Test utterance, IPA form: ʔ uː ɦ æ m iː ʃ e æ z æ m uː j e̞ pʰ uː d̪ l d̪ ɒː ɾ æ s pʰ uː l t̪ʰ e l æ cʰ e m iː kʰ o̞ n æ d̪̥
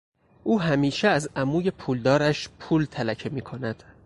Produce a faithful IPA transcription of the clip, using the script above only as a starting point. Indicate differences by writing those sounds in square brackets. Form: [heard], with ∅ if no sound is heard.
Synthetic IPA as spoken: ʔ uː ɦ æ m iː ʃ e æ z æ m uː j e̞ pʰ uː [∅] l d̪ ɒː ɾ æ [ʃ] pʰ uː l t̪ʰ [æ] l æ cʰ e m iː kʰ o̞ n æ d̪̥